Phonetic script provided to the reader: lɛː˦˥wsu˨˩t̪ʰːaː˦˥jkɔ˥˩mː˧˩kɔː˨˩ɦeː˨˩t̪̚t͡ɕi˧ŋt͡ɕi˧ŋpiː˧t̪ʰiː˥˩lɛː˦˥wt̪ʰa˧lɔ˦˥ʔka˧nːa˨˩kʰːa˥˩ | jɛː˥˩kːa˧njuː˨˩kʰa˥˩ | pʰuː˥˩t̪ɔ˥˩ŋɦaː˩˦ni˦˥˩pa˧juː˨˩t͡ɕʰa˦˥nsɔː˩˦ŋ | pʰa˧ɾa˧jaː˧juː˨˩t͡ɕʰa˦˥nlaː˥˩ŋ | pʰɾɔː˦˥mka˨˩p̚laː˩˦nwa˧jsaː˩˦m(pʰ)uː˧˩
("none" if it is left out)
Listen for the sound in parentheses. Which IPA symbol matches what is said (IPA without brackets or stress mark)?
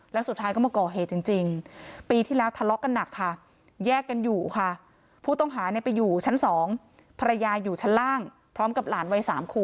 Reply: kʰ